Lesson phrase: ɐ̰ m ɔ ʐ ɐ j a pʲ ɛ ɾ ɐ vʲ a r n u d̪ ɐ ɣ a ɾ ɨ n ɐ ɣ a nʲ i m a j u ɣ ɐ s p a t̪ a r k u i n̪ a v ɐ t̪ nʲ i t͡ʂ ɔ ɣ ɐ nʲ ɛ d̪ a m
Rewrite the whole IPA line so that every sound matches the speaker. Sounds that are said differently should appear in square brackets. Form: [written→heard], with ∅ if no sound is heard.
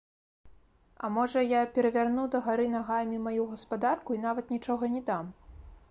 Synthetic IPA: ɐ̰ m ɔ ʐ ɐ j a pʲ ɛ ɾ ɐ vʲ a r n u d̪ ɐ ɣ a ɾ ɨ n [ɐ→a] ɣ a [nʲ→mʲ] i m a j u ɣ ɐ s p a [t̪→d̪] a r k u i n̪ a v ɐ t̪ nʲ i t͡ʂ ɔ ɣ ɐ nʲ ɛ d̪ a m